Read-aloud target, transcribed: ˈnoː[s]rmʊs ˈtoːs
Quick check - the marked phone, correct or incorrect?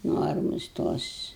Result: incorrect